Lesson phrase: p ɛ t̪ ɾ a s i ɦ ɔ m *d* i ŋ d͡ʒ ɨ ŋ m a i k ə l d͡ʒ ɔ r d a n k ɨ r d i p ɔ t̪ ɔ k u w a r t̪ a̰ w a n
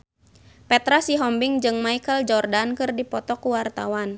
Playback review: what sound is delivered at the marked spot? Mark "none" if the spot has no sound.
b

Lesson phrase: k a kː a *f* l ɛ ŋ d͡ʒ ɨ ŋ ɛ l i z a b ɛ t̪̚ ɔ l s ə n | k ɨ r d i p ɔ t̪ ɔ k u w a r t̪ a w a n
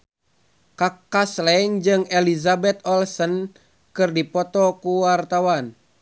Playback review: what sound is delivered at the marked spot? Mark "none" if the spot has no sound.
s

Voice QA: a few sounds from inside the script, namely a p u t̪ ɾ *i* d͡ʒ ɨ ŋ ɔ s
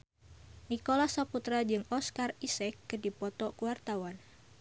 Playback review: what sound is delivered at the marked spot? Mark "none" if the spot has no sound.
a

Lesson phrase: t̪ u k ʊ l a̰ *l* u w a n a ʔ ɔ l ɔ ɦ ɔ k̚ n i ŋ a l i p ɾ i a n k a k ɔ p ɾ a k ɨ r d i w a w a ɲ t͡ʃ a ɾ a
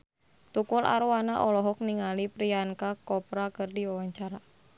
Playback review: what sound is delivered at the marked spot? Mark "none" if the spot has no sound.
ɾ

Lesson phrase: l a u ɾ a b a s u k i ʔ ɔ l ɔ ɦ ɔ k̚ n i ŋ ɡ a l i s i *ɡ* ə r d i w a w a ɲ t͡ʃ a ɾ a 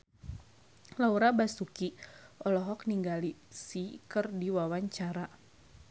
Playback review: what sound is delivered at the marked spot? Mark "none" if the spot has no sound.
k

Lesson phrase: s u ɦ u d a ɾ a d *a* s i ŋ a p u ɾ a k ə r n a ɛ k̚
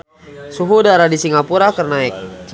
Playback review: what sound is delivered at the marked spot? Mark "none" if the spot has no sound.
i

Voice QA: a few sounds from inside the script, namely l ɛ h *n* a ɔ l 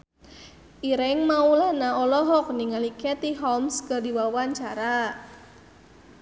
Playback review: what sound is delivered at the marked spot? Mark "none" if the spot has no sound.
n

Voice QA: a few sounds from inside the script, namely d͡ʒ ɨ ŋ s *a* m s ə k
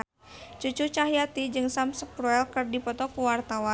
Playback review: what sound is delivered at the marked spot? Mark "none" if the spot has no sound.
a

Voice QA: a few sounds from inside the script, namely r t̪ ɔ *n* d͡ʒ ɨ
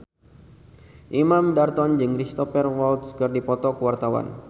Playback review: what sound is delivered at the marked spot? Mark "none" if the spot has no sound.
n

